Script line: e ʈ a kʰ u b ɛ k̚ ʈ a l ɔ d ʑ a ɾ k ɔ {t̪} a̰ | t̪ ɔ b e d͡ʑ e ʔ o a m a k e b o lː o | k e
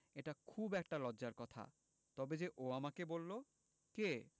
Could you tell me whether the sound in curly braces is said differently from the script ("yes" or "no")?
yes